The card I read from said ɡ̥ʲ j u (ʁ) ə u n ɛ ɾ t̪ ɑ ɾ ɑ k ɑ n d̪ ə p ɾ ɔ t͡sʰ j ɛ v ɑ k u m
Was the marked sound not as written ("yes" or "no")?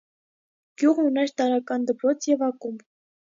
no